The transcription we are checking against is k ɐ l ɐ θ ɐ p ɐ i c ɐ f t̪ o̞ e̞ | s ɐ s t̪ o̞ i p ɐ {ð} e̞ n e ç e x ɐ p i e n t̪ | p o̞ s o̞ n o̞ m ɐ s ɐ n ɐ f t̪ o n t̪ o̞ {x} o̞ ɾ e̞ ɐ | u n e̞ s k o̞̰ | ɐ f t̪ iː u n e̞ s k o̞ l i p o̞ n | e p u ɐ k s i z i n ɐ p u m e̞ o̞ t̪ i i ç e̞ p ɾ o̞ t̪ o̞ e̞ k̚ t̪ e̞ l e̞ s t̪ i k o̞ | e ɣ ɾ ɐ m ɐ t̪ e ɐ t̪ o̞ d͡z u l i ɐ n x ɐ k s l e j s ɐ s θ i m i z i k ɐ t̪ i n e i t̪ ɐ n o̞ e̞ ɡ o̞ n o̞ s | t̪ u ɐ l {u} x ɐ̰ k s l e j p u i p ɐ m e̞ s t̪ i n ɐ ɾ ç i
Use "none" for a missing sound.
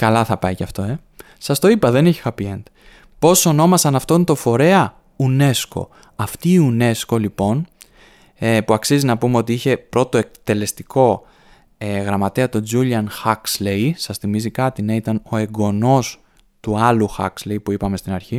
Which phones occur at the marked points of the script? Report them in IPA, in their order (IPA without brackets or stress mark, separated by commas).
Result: ð, f, u